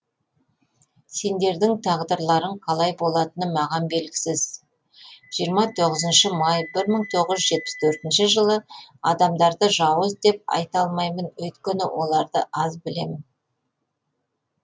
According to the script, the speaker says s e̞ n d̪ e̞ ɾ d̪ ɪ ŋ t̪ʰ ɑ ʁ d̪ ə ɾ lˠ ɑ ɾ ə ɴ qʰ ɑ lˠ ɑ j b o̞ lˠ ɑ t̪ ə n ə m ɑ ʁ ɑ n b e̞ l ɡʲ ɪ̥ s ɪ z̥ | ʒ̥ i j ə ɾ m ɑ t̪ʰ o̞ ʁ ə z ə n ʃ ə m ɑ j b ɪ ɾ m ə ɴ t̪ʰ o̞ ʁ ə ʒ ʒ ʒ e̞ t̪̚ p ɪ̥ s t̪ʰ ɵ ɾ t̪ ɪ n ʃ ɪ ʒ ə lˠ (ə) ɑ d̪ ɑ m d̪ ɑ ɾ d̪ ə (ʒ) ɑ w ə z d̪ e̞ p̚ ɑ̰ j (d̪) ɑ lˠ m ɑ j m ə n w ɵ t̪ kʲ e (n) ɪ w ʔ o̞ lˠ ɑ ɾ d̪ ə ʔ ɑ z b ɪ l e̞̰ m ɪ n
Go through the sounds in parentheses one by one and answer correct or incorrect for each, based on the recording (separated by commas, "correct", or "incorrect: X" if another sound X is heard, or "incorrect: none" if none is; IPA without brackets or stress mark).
correct, correct, incorrect: t̪, correct